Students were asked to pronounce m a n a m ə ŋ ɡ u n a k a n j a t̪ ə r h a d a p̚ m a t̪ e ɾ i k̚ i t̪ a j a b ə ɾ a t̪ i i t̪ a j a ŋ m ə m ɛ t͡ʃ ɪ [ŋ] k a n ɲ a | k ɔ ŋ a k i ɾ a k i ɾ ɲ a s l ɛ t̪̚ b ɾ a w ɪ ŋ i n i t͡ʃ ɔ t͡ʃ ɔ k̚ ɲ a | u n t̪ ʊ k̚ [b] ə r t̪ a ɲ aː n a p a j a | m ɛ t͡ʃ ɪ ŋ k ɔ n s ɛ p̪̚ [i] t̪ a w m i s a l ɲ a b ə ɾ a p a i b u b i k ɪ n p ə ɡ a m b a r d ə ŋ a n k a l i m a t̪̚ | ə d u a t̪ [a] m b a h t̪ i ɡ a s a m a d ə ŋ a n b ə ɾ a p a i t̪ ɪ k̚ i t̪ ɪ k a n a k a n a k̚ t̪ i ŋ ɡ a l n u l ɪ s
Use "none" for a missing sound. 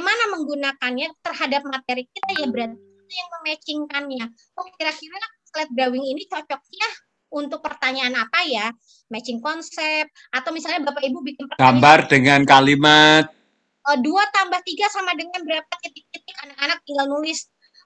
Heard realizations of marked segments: ŋ, p, a, a

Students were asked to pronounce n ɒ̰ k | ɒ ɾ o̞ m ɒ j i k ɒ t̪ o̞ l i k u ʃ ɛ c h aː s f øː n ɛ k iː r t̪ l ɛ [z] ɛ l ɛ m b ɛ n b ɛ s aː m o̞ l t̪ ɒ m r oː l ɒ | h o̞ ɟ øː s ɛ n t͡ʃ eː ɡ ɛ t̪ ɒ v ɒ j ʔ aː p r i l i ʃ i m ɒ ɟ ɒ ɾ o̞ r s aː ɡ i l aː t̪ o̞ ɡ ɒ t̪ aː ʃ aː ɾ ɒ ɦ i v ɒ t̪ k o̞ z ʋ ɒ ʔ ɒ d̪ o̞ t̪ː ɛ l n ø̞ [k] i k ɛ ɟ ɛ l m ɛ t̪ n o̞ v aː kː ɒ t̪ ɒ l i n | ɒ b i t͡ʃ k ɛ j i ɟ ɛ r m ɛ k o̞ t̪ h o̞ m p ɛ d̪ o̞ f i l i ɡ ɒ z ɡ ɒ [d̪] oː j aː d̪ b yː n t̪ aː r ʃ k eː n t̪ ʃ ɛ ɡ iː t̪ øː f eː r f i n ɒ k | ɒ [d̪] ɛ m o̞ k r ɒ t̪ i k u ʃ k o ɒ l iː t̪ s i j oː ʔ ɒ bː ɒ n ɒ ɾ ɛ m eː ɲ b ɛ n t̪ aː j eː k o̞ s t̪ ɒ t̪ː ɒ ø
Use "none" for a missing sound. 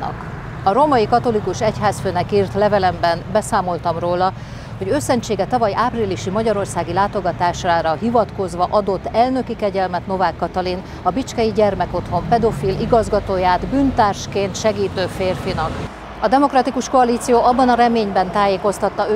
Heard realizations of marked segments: v, k, t̪, d̪

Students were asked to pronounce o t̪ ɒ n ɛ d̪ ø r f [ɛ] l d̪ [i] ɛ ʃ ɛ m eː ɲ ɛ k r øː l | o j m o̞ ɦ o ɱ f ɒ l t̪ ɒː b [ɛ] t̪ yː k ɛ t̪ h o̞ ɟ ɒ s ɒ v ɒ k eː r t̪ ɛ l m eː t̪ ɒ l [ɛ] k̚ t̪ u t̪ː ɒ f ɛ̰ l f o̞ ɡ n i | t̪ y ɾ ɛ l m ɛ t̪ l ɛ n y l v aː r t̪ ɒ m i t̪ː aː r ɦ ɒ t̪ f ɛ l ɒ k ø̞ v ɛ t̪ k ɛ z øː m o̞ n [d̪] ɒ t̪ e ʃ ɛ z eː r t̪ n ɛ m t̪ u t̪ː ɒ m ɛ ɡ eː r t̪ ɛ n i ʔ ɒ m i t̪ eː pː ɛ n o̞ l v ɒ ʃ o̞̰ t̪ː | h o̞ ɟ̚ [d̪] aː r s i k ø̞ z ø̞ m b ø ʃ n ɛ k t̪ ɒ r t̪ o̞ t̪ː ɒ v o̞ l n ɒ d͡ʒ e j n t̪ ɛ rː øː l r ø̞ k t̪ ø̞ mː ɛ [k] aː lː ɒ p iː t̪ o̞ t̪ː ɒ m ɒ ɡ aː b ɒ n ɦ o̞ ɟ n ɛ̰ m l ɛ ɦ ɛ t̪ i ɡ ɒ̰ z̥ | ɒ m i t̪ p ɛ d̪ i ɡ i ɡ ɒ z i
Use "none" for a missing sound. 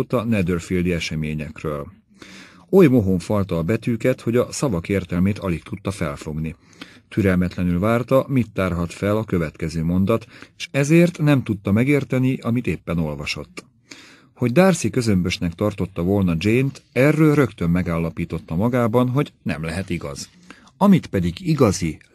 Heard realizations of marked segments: i, i, ɛ, i, d̪, d̪, ɡ

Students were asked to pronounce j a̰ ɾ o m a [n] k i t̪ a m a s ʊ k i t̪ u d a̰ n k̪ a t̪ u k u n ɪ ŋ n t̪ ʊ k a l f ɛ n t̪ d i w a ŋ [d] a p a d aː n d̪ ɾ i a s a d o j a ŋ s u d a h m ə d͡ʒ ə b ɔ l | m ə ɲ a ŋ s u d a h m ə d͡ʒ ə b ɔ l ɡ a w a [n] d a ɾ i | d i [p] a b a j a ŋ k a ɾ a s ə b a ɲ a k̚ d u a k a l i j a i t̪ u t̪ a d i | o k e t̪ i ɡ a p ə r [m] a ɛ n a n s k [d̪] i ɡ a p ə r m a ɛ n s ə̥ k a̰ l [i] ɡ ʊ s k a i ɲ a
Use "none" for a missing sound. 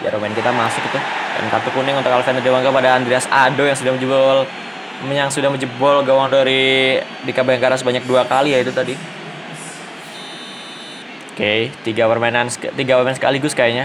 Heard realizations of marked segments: n, ɡ, ŋ, k, m, t̪, i

